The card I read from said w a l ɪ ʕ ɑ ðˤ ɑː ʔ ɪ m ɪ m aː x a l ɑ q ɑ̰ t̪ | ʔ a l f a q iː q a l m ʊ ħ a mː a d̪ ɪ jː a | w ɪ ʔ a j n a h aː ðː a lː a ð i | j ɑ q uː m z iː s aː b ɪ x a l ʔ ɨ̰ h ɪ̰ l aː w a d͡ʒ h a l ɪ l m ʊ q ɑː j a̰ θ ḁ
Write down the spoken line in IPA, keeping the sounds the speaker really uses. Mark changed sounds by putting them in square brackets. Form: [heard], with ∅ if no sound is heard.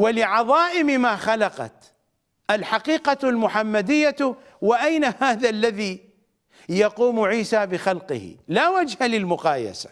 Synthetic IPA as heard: w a l ɪ ʕ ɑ ðˤ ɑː ʔ ɪ m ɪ m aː x a l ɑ q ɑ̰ t̪ | ʔ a l [ħ] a q iː q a l m ʊ ħ a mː a d̪ ɪ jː a | w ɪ ʔ a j n a h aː [ð] a lː a ð i | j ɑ q uː m [ʕ] iː s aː b ɪ x a l [q] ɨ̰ h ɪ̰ l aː w a d͡ʒ h a l ɪ l m ʊ q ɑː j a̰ [s] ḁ

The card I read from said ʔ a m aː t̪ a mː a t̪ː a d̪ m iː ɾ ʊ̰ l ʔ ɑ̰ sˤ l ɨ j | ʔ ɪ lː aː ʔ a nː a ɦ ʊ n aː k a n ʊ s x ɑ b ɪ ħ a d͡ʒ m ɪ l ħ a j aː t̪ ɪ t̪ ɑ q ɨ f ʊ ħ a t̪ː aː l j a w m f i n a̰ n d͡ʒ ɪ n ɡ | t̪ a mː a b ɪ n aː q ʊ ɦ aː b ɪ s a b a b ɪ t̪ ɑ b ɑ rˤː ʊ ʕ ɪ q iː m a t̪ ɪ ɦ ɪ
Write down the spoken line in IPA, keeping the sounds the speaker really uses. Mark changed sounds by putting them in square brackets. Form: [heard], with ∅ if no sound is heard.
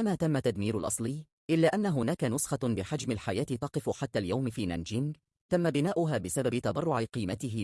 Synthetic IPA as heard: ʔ a m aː t̪ a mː a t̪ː a d̪ m iː ɾ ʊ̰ l ʔ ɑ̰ sˤ l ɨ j | ʔ ɪ lː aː ʔ a nː a ɦ ʊ n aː k a n ʊ s x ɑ b ɪ ħ a d͡ʒ m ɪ l ħ a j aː t̪ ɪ t̪ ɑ q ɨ f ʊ ħ a t̪ː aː l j a w m f [iː] n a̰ n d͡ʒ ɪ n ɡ | t̪ a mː a b ɪ n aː [ʔ] ʊ ɦ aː b ɪ s a b a b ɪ t̪ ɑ b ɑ rˤː ʊ ʕ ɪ q iː m a t̪ ɪ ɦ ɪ

